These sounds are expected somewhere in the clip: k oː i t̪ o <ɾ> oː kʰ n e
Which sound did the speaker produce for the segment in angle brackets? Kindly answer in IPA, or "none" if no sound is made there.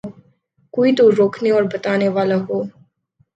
ɾ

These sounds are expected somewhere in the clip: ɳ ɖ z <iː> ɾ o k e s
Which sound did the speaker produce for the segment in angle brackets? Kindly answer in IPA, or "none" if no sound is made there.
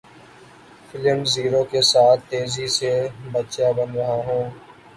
iː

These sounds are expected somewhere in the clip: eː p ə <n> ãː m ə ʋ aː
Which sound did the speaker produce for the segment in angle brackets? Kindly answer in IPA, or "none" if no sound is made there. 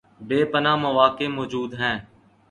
n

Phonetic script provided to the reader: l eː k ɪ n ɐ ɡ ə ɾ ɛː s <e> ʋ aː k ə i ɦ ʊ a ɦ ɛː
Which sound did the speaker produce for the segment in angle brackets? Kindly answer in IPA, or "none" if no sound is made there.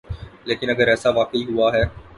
a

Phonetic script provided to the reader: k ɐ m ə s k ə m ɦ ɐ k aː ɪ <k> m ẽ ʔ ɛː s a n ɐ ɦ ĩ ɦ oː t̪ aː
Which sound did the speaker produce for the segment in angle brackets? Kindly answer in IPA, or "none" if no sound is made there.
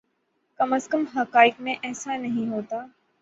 k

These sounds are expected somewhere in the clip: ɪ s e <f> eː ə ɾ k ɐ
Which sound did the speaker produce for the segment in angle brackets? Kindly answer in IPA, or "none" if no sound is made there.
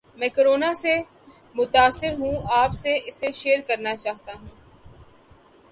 ʃ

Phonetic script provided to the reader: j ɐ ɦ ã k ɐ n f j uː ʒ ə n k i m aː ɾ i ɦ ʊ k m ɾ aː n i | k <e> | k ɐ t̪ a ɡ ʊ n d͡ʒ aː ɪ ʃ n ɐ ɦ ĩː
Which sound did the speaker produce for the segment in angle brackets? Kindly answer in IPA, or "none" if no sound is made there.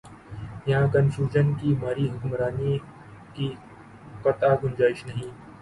i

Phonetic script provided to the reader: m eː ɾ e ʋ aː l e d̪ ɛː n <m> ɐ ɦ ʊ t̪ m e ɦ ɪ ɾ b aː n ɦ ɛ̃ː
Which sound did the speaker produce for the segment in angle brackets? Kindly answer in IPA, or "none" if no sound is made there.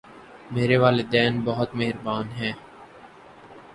b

